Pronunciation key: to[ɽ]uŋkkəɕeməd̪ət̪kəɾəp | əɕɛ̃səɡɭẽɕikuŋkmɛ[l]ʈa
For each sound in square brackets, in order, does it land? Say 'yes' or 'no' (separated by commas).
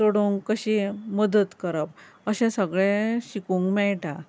yes, no